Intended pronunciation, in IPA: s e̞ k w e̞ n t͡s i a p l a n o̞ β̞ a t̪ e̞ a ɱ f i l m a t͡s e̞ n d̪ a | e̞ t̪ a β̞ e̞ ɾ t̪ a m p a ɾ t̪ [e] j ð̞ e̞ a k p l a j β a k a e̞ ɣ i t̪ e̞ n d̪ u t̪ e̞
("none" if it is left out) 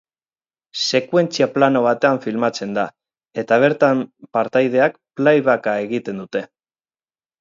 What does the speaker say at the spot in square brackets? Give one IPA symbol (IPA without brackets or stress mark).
a